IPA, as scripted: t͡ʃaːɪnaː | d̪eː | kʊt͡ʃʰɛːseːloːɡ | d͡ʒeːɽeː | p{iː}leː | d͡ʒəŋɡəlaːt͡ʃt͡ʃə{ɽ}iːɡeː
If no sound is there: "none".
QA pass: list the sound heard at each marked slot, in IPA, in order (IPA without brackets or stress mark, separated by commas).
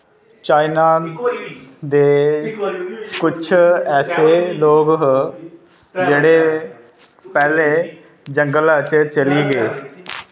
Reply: ɛː, l